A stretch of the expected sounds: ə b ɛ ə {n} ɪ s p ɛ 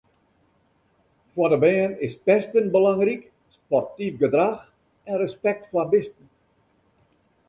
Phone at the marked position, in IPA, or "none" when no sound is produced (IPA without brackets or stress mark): n